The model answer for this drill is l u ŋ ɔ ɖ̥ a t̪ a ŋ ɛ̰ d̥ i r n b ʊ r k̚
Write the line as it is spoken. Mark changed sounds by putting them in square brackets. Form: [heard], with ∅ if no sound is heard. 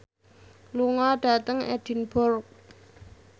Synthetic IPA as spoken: l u ŋ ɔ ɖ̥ a t̪ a ŋ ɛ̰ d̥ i [∅] n b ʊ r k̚

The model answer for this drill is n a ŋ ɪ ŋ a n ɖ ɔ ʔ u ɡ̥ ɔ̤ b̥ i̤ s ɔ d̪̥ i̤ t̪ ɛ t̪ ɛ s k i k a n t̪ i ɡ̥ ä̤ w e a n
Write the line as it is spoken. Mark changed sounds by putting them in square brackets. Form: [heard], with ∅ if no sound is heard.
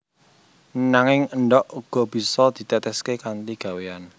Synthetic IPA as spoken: n a ŋ ɪ ŋ [ə] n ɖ ɔ ʔ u ɡ̥ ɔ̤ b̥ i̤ s ɔ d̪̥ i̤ t̪ ɛ t̪ ɛ s k [e] k a n t̪ i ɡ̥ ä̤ w e a n

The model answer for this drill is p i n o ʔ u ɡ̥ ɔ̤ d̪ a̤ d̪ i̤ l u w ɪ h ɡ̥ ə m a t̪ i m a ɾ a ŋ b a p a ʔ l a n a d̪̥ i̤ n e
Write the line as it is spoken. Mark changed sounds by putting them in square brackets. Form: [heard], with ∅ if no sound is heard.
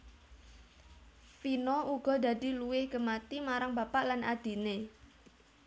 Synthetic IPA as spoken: p i n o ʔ u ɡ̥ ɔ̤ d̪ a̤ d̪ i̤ l u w ɪ h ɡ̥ ə m a t̪ i m a ɾ a ŋ b a p a ʔ l a n a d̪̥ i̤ n e

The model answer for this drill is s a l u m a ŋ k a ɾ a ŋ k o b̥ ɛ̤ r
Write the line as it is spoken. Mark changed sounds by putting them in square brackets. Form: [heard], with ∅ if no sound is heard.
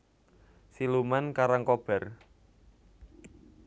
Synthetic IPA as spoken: s [i] l u m a [n] k a ɾ a ŋ k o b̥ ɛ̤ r

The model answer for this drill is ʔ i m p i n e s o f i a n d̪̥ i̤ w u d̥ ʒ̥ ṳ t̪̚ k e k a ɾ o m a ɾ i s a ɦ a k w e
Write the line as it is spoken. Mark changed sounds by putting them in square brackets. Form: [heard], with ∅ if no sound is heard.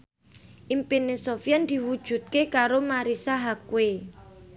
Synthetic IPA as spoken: ʔ i m p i n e s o f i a n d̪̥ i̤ w u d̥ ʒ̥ ṳ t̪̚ k e k a ɾ o m a ɾ i s a ɦ a k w e

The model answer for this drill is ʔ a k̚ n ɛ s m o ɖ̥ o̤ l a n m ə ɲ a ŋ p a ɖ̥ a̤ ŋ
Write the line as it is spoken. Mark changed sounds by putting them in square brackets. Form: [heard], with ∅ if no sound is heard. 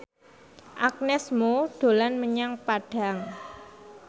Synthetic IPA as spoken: ʔ a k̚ n ɛ s m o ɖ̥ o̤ l a n m ə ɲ a ŋ p a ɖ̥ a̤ ŋ

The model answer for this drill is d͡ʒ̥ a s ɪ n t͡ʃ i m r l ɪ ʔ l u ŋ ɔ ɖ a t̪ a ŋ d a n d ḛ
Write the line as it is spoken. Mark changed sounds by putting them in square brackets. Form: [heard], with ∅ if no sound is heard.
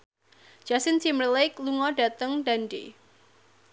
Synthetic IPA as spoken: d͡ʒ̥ a s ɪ n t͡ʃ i m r l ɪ [k] l u ŋ ɔ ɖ a t̪ [ə] ŋ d a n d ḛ

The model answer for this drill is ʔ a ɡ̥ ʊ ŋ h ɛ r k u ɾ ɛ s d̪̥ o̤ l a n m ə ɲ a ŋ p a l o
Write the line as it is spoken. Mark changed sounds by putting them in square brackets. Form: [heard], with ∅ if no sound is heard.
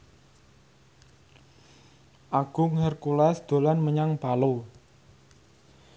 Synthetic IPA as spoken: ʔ a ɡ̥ ʊ ŋ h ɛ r k u [l] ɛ s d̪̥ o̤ l a n m ə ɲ a ŋ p a l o

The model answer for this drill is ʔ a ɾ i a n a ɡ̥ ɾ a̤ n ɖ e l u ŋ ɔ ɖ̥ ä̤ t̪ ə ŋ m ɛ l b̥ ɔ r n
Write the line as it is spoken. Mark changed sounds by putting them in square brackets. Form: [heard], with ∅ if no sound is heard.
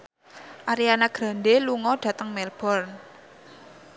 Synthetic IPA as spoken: ʔ a ɾ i a n a ɡ̥ ɾ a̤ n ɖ e l u ŋ ɔ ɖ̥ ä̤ t̪ ə ŋ m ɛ l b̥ ɔ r n

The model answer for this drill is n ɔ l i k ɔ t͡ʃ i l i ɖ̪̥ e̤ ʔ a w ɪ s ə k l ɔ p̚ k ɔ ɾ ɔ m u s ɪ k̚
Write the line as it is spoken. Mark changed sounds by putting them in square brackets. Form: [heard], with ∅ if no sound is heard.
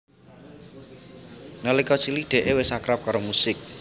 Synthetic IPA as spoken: n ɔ l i k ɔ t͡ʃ i l i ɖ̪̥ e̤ ʔ [e] w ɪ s [a] k [ɾ] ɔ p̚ k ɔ ɾ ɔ m u s ɪ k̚

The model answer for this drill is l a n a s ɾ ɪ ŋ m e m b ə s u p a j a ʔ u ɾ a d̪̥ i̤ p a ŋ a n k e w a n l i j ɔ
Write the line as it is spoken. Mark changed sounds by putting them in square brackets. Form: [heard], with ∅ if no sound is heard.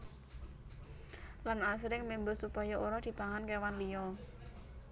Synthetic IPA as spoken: l a n a s ɾ ɪ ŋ m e m b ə s u p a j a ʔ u ɾ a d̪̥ i̤ p a ŋ a n k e w a n l i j ɔ

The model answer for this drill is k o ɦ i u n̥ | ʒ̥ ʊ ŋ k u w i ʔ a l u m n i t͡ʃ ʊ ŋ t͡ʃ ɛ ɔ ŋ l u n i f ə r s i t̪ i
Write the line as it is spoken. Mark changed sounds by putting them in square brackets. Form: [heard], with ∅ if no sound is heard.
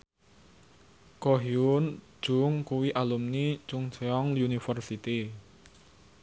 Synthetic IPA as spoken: k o ɦ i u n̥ | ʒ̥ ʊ ŋ k u w i ʔ a l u m n i t͡ʃ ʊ ŋ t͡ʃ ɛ ɔ ŋ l u n i f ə r s i t̪ i

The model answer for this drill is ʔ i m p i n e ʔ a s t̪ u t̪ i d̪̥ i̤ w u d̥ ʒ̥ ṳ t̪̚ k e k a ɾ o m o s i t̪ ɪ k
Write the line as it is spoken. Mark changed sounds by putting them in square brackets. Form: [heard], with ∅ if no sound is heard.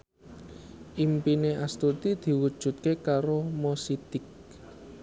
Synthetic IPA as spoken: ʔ i m p i n e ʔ a s t̪ u t̪ i d̪̥ i̤ w u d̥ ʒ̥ ṳ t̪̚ k e k a ɾ o m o s i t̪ ɪ k

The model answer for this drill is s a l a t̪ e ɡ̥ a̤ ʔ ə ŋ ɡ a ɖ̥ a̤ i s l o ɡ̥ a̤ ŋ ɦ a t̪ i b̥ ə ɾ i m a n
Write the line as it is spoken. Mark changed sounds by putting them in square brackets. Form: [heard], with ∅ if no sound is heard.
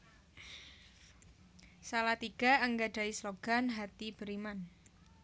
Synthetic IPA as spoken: s a l a t̪ [i] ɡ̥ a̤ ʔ ə ŋ ɡ a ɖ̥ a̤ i s l o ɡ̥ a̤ [n] ɦ a t̪ i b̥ ə ɾ i m a n

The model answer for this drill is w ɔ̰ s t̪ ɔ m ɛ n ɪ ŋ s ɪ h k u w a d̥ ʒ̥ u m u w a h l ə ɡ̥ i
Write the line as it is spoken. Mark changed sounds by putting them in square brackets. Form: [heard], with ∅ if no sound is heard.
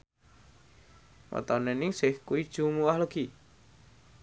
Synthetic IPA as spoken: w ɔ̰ [∅] t̪ ɔ [n] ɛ n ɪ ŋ s ɪ h k u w [i] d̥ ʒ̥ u m u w a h l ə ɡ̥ i

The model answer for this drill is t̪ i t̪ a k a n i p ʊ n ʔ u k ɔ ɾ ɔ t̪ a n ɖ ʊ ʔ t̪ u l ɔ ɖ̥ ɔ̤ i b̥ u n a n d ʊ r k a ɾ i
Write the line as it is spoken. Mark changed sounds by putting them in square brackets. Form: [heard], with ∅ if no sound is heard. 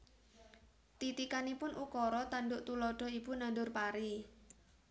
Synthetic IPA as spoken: t̪ i t̪ [i] k a n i p ʊ n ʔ u k ɔ ɾ ɔ t̪ a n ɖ ʊ ʔ t̪ u l ɔ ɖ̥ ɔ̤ i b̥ u n a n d ʊ r [p] a ɾ i

